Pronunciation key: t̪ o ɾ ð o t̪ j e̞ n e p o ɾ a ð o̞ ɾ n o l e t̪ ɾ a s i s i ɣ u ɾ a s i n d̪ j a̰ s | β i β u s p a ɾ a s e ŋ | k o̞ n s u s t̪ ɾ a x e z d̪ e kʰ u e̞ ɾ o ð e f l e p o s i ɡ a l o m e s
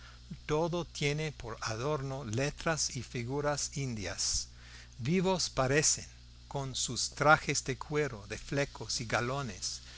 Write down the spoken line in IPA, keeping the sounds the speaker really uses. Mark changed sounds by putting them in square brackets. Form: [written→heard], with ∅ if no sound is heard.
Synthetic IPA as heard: t̪ o [ɾ→∅] ð o t̪ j e̞ n e p o ɾ a ð o̞ ɾ n o l e t̪ ɾ a s i [s→f] i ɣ u ɾ a s i n d̪ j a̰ s | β i β [u→o] s p a ɾ [a→e] s e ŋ | k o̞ n s u s t̪ ɾ a x e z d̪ e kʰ [u→w] e̞ ɾ o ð e f l e [p→k] o s i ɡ a l o [m→n] e s